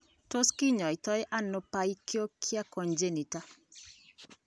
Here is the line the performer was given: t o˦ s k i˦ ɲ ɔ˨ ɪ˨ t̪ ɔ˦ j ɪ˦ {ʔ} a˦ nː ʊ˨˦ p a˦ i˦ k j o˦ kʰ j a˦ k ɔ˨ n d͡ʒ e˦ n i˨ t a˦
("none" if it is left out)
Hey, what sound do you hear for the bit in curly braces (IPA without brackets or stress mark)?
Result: ʔ